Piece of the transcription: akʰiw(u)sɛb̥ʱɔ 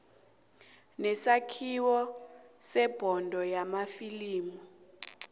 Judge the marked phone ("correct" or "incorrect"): incorrect